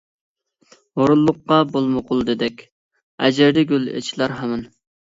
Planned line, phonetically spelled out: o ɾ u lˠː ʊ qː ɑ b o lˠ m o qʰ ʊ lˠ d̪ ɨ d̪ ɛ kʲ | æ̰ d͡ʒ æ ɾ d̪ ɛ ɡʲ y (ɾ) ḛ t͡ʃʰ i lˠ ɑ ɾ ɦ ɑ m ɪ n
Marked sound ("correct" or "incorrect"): incorrect